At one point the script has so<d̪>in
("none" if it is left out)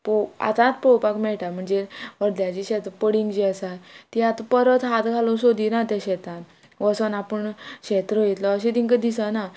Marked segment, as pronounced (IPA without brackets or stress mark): d̪